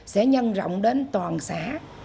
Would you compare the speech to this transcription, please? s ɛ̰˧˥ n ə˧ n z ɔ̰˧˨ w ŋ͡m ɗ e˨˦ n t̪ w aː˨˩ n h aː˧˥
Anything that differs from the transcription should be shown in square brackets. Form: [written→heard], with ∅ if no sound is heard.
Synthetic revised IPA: s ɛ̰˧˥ [n→ɲ] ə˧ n z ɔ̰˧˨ w ŋ͡m ɗ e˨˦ n t̪ w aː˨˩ n [h→s] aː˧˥